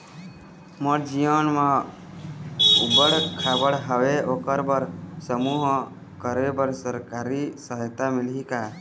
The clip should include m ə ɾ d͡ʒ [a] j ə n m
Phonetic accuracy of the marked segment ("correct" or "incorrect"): incorrect